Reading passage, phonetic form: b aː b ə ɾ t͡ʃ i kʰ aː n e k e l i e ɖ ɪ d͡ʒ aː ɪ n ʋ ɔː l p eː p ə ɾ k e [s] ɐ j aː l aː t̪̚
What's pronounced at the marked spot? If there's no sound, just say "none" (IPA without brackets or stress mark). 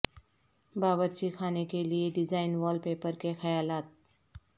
x